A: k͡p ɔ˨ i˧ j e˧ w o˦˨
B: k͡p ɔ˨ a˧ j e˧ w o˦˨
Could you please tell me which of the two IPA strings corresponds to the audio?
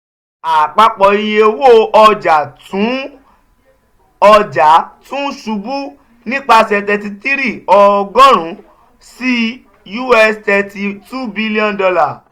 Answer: A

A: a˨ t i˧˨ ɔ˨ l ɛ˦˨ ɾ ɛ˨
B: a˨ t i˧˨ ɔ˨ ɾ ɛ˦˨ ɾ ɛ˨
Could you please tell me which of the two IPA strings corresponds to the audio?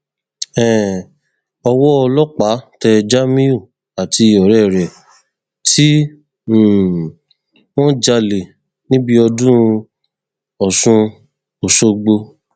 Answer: B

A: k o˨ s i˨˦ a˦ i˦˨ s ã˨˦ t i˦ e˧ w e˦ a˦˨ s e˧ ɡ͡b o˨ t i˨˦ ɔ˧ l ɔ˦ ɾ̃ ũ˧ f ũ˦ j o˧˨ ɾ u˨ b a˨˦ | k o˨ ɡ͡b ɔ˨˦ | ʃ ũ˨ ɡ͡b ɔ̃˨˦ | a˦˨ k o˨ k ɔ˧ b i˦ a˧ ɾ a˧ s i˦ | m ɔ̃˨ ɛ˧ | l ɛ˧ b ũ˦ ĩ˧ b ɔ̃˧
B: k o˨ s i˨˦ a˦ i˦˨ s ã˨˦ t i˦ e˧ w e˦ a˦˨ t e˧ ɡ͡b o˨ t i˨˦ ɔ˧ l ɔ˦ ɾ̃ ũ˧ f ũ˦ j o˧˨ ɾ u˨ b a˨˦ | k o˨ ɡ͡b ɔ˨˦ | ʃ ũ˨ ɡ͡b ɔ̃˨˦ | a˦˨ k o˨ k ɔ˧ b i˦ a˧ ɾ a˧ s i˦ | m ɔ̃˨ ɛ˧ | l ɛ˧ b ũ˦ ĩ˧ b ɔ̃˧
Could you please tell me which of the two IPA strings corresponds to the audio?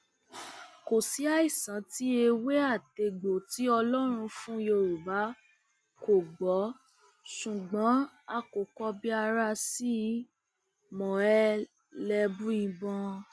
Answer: B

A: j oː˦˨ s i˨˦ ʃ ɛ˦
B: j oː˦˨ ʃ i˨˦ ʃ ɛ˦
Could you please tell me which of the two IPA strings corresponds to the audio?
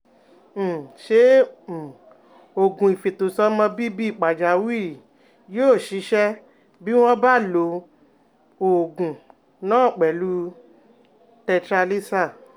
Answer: B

